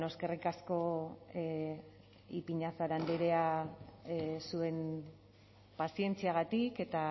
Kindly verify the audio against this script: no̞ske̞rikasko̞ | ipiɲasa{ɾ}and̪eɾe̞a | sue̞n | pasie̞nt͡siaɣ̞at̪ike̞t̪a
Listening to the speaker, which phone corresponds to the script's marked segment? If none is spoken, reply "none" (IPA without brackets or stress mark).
ɾ